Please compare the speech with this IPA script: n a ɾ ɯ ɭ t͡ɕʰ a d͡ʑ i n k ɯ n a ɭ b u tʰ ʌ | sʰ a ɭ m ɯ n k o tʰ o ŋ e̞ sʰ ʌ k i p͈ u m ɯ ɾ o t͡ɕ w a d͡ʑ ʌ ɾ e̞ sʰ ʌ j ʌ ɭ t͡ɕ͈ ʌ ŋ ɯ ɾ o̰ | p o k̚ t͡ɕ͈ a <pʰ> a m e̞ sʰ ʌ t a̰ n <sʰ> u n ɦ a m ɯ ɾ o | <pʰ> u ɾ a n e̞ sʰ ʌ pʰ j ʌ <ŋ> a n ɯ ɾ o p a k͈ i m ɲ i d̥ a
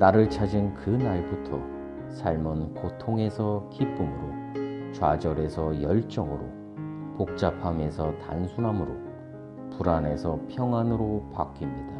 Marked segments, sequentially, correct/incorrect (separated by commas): correct, correct, incorrect, correct